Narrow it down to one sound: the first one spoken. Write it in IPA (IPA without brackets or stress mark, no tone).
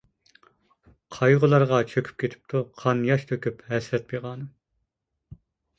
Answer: qʰ